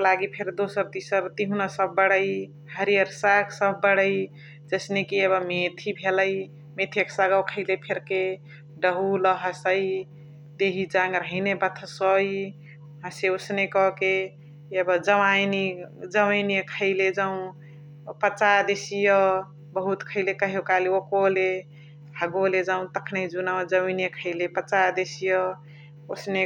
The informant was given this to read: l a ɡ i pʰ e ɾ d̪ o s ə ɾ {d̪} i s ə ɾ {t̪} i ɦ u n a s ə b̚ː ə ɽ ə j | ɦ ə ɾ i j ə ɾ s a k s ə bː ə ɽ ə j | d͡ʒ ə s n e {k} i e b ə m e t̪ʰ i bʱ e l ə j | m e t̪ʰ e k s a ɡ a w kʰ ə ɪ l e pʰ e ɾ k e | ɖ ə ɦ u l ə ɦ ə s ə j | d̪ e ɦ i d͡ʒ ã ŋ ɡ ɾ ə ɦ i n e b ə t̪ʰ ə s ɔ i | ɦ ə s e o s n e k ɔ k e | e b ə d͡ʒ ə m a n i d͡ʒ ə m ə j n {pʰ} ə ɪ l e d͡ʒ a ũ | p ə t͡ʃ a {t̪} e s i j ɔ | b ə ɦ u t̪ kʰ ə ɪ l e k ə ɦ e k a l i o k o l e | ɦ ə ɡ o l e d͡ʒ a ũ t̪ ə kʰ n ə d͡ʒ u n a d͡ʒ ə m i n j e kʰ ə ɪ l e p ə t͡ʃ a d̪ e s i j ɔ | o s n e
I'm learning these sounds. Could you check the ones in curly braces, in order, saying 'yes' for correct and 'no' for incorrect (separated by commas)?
no, yes, yes, no, no